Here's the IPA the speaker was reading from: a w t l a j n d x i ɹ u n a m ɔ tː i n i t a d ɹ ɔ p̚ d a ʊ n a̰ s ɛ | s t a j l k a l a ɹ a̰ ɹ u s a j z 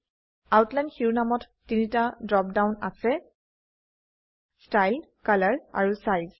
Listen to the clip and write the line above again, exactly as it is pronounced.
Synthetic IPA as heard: a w t l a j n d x i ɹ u n a m ɔ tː i n i t a d ɹ ɔ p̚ d a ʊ n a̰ s ɛ | s t a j l k a l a ɹ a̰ ɹ u s a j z